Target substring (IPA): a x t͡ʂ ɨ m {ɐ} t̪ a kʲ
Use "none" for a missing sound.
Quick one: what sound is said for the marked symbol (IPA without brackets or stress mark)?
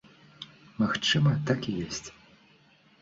ɐ